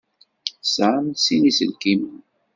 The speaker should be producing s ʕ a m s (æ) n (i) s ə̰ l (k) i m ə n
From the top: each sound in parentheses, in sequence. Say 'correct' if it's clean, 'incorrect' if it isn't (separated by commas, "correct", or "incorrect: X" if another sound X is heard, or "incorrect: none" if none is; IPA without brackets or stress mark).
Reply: incorrect: i, correct, correct